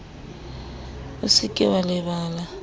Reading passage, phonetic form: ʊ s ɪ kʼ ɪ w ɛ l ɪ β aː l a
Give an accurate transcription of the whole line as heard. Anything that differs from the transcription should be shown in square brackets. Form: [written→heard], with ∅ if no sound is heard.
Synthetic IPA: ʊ s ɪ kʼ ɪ w [ɛ→a] l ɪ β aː l a

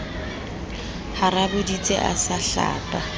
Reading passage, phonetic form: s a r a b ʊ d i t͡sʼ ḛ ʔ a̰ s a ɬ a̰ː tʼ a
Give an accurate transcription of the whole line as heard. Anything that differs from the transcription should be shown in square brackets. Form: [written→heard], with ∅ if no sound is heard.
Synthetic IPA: [s→h] a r a b ʊ d i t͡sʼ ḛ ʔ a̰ s a ɬ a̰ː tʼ a

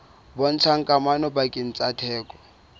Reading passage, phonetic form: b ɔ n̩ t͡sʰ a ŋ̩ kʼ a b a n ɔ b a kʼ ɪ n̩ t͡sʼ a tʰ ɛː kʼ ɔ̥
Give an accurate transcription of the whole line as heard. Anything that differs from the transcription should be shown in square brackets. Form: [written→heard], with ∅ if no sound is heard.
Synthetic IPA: b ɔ n̩ t͡sʰ a ŋ̩ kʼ a [b→m] a n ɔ b a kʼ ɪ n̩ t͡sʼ a tʰ ɛː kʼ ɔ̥

